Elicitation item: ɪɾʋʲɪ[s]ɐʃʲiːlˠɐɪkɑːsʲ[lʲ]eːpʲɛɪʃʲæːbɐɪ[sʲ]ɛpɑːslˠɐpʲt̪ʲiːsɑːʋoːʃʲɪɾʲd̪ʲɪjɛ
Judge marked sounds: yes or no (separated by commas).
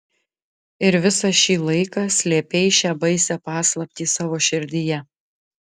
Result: yes, yes, yes